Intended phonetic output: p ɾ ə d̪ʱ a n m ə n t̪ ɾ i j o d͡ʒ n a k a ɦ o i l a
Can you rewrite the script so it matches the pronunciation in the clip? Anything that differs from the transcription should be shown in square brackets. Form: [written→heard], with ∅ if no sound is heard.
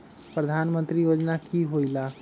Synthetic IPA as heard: p ɾ ə d̪ʱ a n m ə n t̪ ɾ i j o d͡ʒ n a k [a→i] ɦ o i l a